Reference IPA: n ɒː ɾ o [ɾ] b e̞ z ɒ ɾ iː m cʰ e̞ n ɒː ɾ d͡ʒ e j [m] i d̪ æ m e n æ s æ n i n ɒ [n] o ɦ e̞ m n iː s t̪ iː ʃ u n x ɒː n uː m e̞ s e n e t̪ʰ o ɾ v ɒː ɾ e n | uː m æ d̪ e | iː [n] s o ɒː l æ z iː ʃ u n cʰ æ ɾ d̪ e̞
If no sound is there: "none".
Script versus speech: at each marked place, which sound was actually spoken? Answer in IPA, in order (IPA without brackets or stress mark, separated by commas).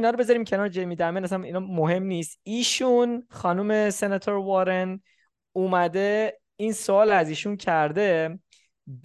none, m, m, n